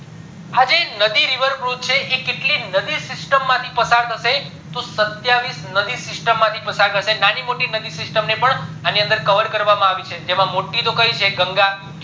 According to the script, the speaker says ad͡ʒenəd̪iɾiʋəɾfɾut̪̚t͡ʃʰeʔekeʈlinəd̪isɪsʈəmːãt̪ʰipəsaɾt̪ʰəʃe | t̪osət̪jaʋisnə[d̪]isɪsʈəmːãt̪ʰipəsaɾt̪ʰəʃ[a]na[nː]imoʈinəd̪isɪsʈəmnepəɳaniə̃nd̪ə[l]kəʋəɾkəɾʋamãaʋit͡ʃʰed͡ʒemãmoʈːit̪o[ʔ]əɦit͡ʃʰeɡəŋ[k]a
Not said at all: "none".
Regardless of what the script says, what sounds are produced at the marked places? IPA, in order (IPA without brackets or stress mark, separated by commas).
d̪, e, n, ɾ, k, ɡ